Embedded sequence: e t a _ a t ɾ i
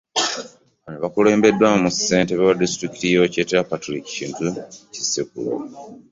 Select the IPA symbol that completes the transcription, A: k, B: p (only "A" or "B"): B